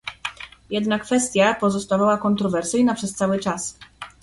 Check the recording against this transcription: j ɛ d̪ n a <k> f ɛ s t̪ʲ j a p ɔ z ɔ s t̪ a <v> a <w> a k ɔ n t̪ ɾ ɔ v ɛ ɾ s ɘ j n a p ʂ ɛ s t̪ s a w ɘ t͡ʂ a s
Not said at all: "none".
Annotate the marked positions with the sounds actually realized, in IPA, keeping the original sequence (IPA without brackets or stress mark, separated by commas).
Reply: k, v, w